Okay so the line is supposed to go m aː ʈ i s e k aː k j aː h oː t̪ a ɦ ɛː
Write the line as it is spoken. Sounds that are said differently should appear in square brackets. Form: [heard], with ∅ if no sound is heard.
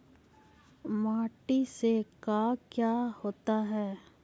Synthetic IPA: m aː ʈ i s e k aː k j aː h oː t̪ a ɦ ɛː